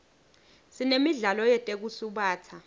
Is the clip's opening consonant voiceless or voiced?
voiceless